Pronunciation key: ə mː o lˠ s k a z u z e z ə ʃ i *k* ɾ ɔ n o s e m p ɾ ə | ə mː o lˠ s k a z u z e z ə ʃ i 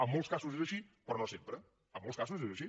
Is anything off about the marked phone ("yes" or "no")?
yes